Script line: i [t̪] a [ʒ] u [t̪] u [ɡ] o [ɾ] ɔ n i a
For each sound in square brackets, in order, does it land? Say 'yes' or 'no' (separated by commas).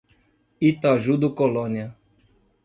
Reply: yes, yes, no, no, no